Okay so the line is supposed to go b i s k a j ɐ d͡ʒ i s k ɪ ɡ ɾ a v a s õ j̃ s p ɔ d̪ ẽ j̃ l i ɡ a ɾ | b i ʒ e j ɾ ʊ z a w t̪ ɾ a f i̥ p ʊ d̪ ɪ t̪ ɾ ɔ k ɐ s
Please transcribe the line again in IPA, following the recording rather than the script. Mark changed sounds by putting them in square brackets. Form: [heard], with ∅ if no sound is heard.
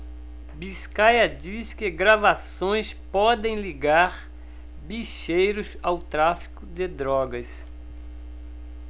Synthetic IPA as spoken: b i s k a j ɐ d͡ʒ i s k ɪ ɡ ɾ a v a s õ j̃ s p ɔ d̪ ẽ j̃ l i ɡ a ɾ | b i [ʃ] e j ɾ ʊ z a w t̪ ɾ a f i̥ [k] ʊ d̪ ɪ [d̪] ɾ ɔ [ɡ] ɐ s